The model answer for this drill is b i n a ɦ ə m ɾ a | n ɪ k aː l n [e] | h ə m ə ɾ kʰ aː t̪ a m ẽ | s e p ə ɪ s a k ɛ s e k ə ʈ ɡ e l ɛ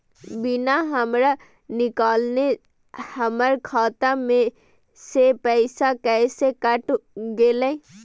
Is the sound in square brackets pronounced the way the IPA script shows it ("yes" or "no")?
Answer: yes